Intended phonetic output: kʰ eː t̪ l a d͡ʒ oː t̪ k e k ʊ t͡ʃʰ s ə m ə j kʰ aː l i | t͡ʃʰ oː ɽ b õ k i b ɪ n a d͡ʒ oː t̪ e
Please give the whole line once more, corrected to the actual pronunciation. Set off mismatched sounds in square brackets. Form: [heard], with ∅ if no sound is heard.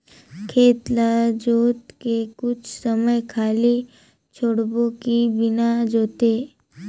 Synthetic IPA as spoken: kʰ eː t̪ l a d͡ʒ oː t̪ k e k ʊ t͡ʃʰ s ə m ə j kʰ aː l i | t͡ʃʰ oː ɽ b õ k i b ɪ n a d͡ʒ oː t̪ e